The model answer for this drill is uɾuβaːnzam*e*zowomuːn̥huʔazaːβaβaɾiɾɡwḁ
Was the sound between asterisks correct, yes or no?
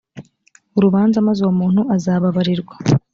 no